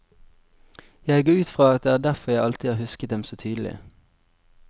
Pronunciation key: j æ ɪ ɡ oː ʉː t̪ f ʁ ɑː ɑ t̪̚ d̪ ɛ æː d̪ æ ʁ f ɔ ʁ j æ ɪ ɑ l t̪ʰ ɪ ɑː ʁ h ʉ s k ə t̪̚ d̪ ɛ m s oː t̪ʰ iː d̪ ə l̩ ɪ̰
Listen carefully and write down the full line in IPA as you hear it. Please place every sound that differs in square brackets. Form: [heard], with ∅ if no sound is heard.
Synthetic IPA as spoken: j æ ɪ ɡ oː ʉː t̪ f ʁ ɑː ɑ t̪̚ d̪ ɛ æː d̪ æ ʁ f ɔ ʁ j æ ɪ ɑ l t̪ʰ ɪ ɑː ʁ h ʉ s k ə t̪̚ d̪ ɛ m s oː t̪ʰ [yː] d̪ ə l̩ ɪ̰